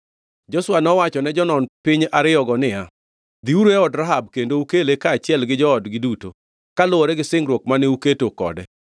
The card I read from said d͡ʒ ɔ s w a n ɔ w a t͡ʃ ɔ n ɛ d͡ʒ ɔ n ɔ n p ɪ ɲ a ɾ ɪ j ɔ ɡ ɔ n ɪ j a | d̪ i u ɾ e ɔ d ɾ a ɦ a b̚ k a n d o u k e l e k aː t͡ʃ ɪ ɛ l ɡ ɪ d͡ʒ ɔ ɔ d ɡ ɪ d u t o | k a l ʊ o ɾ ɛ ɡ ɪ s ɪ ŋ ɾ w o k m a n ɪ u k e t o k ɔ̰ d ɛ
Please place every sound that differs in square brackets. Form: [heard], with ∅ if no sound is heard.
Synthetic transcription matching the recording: d͡ʒ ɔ s w a n ɔ w a t͡ʃ ɔ n ɛ d͡ʒ ɔ n ɔ n p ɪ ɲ a ɾ ɪ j ɔ ɡ ɔ n ɪ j a | d̪ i u ɾ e ɔ d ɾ a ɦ a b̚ k [e] n d o u k e l e k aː t͡ʃ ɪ ɛ l ɡ ɪ d͡ʒ ɔ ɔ d ɡ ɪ d u t o | k a l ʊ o ɾ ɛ ɡ ɪ s ɪ ŋ ɾ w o k m a n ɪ u k e t o k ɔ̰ d ɛ